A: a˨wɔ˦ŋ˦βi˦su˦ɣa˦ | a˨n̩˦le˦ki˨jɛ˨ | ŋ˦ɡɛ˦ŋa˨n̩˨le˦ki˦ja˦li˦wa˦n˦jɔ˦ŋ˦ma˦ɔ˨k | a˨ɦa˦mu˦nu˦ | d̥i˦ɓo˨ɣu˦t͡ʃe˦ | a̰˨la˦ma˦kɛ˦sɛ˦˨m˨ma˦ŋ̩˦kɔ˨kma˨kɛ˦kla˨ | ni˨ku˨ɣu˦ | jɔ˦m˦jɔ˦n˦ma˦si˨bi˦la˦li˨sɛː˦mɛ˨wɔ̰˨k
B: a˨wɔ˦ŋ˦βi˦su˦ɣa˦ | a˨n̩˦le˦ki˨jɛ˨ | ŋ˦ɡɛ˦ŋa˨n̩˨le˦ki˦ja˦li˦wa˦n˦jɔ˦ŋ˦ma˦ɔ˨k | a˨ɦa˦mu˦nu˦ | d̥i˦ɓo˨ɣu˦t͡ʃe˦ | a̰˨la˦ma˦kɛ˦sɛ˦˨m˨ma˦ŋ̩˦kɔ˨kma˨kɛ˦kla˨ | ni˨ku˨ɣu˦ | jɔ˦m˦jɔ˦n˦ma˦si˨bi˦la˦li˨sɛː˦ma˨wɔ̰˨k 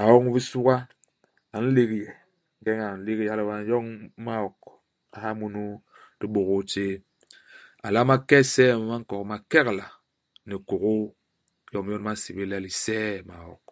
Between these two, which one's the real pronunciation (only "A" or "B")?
B